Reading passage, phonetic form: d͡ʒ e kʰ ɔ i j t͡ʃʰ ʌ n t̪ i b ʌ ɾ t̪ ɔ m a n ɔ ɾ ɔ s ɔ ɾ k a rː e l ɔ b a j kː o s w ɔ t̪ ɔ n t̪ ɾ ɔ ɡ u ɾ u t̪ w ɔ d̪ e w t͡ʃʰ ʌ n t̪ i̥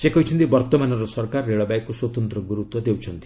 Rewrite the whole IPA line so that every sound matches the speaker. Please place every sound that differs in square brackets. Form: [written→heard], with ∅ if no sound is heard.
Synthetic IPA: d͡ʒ e [kʰ→k] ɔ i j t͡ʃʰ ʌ n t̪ i b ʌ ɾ t̪ ɔ m a n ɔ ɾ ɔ s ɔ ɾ k a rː e [l→ɭ] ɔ b a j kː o s w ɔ t̪ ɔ n t̪ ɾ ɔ ɡ u ɾ u t̪ w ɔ d̪ e w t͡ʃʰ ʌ n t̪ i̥